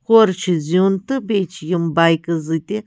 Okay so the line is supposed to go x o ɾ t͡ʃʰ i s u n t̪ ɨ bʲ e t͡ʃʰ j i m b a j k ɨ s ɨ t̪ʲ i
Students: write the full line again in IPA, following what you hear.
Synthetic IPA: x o ɾ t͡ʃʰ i z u n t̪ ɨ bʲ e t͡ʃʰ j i m b a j k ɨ z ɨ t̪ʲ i